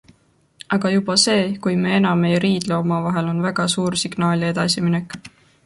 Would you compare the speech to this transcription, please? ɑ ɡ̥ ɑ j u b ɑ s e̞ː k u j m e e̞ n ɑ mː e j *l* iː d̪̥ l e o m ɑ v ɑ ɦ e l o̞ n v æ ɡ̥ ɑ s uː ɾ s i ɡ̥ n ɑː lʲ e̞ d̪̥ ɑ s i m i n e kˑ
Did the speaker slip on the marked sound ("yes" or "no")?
yes